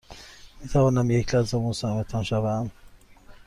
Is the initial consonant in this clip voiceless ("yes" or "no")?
no